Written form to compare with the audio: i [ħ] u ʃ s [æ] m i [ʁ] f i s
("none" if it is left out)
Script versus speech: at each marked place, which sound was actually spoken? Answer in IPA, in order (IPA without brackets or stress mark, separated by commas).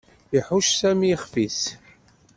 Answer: ħ, æ, χ